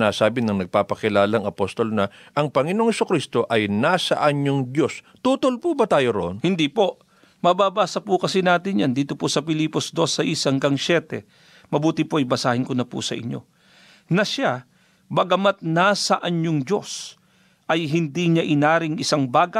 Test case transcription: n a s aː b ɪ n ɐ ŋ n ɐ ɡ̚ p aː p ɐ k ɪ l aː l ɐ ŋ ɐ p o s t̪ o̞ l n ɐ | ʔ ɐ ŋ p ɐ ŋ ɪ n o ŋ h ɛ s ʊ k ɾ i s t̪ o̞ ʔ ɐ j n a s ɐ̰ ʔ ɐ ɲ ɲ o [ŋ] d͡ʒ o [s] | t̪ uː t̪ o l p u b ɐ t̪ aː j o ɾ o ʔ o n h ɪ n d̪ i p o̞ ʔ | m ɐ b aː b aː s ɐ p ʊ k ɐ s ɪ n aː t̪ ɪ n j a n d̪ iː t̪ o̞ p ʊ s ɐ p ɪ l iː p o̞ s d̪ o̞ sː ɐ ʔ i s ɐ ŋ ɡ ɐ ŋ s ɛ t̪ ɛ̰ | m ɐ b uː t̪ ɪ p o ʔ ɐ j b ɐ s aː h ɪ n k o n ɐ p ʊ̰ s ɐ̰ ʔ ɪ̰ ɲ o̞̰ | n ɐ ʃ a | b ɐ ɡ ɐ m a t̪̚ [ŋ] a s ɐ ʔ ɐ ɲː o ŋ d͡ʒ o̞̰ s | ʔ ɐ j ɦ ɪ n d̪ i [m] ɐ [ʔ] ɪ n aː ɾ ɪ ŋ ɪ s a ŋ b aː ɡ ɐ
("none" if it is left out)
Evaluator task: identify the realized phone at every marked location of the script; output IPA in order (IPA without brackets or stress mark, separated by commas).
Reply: ŋ, s, n, ɲ, ʔ